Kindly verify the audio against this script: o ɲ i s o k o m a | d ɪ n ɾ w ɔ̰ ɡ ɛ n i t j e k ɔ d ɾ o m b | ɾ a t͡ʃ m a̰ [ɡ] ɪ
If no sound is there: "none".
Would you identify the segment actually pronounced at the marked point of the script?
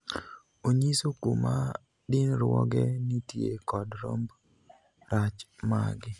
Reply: ɡ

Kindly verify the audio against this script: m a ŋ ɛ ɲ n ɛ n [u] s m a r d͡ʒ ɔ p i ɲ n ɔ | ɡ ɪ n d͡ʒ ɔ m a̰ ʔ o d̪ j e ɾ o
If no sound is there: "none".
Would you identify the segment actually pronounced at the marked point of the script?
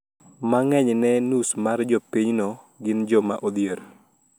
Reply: u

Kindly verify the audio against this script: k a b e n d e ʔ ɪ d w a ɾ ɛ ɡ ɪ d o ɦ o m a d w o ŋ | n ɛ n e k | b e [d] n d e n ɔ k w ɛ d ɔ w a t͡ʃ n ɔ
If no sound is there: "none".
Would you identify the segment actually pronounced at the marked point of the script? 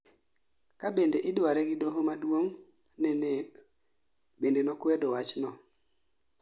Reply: none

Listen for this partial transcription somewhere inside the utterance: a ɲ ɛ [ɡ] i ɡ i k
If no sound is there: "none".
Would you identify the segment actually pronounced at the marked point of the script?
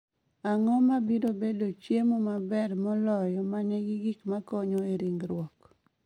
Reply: ɡ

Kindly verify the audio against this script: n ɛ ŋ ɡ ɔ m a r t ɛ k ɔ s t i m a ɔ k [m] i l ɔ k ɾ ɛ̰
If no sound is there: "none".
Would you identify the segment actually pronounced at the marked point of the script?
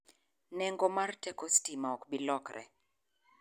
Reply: b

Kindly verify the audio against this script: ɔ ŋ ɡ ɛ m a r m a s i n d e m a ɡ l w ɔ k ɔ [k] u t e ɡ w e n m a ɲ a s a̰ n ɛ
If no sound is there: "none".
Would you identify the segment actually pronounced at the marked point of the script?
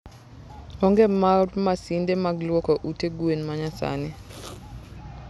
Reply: ʔ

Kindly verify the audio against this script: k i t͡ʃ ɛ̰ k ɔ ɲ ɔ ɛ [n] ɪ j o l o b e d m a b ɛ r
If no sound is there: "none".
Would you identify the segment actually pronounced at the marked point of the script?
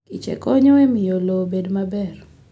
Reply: m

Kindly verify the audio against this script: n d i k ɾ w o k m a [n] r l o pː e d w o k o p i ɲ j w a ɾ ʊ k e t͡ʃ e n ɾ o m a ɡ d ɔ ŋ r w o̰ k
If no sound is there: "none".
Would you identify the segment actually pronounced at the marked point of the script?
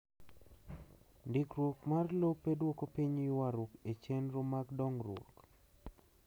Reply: none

